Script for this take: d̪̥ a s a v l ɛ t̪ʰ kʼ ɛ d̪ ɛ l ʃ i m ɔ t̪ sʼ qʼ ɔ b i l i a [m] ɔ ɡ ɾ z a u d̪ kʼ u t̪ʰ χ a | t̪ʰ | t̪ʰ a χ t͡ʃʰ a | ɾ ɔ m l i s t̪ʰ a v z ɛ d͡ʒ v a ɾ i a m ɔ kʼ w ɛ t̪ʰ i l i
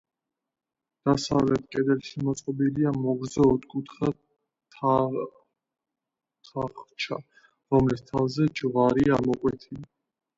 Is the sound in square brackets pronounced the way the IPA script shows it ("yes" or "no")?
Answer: yes